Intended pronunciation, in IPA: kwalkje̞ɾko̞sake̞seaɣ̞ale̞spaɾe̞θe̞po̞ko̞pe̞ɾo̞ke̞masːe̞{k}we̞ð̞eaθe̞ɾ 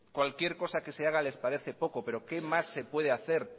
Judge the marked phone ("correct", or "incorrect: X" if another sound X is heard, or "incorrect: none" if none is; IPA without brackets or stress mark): incorrect: p